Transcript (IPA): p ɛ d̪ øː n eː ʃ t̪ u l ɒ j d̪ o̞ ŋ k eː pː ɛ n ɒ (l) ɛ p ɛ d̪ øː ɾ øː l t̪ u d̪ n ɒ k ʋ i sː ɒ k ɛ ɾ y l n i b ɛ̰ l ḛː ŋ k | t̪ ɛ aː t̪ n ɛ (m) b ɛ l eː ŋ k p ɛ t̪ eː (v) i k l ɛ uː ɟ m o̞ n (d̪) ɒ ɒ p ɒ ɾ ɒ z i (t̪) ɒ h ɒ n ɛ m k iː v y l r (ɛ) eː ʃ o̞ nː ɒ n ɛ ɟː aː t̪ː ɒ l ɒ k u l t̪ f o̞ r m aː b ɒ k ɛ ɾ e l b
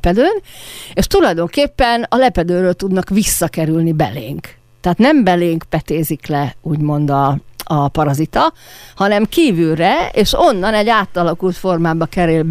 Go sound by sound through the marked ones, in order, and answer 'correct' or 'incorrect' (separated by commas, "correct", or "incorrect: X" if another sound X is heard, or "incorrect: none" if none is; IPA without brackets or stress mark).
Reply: correct, correct, incorrect: z, correct, correct, correct